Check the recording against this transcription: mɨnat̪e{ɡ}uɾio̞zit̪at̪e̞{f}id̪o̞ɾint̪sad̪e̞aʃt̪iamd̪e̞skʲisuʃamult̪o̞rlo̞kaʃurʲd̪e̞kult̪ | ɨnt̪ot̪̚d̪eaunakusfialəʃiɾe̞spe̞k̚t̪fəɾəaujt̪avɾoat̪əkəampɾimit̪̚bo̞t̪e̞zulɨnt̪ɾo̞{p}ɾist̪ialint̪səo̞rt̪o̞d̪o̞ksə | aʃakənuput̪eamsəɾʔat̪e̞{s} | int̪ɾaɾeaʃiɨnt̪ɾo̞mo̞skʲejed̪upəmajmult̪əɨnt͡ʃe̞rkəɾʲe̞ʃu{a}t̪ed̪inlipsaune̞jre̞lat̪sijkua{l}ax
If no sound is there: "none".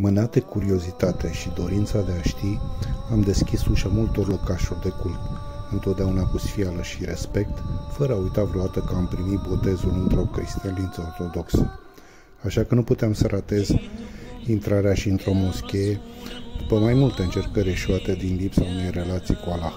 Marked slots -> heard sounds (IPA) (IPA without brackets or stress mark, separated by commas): k, ʃ, k, z, a, l